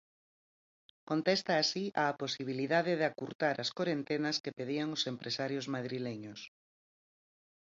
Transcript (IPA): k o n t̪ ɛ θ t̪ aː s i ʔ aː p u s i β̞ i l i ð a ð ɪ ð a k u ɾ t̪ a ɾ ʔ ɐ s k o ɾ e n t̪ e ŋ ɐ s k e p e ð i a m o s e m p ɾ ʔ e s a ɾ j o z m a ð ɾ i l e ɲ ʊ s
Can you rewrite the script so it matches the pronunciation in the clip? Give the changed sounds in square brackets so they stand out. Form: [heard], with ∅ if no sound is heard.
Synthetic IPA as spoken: k o n t̪ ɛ [s] t̪ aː s i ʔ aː p [o] s i β̞ i l i ð a ð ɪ ð a k u ɾ t̪ a ɾ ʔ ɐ s k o ɾ e n t̪ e [n] ɐ s k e p e ð i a [ŋ] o s e m p ɾ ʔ e s a ɾ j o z m a ð ɾ i l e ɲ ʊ s